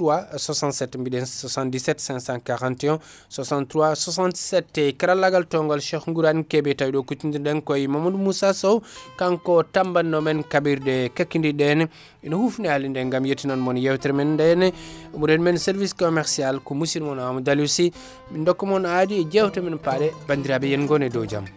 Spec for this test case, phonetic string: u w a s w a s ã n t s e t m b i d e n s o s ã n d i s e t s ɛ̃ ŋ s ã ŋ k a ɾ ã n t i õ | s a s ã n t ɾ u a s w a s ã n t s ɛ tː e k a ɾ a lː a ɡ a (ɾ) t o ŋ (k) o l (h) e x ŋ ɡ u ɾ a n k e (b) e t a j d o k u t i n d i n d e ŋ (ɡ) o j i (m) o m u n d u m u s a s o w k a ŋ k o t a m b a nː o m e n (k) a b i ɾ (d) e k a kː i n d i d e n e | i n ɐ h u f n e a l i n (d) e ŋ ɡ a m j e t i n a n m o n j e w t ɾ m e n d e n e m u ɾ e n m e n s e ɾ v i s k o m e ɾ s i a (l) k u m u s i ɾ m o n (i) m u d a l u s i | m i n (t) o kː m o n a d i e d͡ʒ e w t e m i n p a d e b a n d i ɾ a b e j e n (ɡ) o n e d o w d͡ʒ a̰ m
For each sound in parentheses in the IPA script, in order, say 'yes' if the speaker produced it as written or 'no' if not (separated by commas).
no, no, no, yes, no, yes, yes, yes, yes, yes, no, no, yes